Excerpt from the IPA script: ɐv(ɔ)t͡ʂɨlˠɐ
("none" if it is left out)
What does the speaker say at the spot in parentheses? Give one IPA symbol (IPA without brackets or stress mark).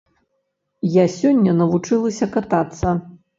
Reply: u